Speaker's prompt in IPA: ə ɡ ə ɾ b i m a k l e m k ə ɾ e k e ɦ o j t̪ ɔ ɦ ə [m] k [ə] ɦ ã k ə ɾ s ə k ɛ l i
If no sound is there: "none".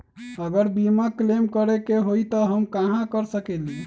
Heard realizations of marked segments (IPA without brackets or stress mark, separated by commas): m, a